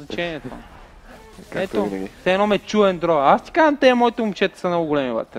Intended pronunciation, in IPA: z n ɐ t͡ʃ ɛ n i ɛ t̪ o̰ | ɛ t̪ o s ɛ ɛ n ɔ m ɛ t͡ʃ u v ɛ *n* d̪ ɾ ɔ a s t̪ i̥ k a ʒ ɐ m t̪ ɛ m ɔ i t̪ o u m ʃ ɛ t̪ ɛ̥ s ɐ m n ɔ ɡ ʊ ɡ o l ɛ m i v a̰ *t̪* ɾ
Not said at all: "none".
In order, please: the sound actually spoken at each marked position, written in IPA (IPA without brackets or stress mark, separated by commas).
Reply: n, t̪